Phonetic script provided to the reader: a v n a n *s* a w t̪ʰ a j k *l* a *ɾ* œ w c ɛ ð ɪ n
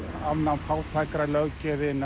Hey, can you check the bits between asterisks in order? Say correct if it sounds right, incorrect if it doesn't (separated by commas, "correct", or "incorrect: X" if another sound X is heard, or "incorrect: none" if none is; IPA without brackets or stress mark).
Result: incorrect: f, incorrect: ɾ, incorrect: l